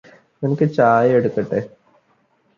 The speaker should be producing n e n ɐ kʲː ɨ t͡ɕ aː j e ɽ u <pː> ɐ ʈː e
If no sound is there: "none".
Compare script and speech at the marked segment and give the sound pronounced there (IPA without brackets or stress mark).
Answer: kː